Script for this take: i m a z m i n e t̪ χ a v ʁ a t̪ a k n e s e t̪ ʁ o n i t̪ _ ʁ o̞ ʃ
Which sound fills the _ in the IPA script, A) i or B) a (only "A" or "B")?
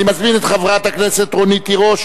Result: A